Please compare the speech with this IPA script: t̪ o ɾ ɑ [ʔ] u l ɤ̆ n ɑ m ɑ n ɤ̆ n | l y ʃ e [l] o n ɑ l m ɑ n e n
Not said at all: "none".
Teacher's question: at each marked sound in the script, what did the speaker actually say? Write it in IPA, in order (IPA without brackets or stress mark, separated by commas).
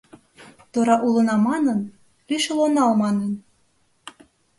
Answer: ʔ, l